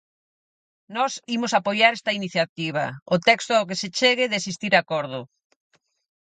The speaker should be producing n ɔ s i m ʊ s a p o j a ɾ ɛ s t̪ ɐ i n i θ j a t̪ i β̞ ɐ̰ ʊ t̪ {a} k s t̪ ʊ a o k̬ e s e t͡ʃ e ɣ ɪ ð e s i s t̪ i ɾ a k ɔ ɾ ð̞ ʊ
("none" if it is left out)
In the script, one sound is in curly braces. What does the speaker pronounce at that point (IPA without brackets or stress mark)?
ɛ